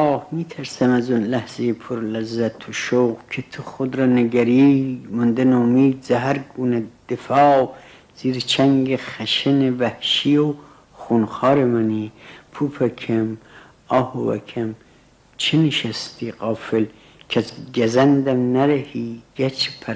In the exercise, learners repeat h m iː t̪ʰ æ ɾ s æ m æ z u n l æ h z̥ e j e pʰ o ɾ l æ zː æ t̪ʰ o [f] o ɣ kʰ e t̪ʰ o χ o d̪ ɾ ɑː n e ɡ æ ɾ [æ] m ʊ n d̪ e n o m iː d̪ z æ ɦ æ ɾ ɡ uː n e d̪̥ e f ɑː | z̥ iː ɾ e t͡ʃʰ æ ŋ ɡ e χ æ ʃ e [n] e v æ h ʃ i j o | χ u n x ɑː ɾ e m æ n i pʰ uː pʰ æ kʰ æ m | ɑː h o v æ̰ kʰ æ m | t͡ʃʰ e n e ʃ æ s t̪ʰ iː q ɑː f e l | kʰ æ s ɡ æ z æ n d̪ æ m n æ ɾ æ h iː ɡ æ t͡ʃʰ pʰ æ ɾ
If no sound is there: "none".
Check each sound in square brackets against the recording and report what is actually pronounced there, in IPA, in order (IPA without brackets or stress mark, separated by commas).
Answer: ʃ, i, n